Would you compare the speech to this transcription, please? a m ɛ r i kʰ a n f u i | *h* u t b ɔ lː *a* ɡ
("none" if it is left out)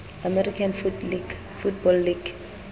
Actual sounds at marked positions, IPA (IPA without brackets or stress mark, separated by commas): f, i